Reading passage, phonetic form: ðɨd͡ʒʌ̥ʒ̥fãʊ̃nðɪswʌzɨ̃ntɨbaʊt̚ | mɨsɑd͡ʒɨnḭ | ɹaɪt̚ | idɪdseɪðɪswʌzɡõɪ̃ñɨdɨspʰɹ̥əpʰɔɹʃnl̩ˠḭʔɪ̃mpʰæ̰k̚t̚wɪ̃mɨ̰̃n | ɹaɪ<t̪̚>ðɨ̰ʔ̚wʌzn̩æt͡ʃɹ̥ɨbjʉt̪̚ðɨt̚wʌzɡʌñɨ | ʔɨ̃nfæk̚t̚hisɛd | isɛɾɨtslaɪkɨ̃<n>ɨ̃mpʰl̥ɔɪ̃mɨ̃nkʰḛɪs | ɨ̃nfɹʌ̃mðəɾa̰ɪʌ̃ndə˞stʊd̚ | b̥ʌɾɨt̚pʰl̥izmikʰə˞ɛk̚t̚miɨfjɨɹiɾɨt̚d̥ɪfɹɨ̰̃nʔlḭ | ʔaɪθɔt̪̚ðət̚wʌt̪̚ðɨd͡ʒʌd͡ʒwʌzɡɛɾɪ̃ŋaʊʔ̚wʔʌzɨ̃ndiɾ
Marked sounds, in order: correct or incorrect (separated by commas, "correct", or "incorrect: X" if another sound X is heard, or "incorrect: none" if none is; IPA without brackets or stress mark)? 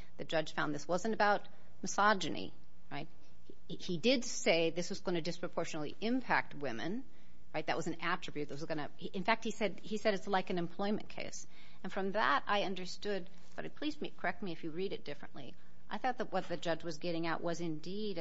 correct, correct